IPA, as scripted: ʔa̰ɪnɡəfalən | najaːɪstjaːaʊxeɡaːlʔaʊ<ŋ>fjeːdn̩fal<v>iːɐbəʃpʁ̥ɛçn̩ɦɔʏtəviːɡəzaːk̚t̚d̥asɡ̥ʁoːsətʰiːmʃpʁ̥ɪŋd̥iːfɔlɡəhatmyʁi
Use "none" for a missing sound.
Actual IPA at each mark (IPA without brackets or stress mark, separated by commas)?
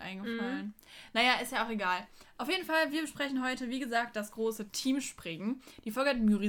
none, v